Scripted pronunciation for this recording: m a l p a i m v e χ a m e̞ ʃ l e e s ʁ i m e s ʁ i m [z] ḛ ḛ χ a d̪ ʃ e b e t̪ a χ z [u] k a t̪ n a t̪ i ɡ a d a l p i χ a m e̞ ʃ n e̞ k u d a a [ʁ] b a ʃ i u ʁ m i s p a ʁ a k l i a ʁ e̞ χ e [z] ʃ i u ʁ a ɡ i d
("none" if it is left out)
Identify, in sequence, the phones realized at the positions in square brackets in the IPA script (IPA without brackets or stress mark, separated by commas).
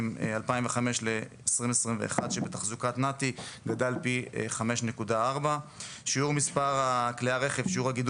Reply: v, u, ʁ, v